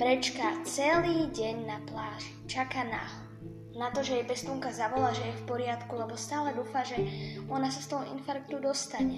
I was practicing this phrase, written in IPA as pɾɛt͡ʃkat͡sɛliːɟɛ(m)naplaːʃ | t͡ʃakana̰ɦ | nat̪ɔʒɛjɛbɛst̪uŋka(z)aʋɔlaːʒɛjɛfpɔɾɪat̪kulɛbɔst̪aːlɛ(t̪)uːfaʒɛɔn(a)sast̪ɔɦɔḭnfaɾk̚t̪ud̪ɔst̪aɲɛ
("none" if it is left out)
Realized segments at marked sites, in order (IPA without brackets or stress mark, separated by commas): ɲ, z, d̪, a